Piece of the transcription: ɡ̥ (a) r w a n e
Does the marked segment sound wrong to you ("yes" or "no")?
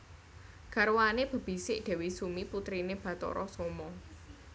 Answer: no